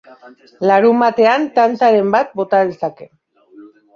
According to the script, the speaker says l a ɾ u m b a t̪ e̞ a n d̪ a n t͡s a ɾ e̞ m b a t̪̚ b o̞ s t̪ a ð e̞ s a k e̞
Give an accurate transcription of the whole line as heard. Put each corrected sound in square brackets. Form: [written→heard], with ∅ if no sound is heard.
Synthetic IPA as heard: l a ɾ u m b a t̪ e̞ a n [d̪→t̪] a n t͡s a ɾ e̞ m b a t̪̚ b o̞ [s→∅] t̪ a ð e̞ s a k e̞